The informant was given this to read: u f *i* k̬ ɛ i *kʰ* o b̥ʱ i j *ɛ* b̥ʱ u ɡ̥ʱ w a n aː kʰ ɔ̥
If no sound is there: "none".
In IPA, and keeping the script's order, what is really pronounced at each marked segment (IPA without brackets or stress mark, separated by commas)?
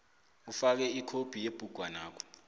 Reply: a, kʰ, e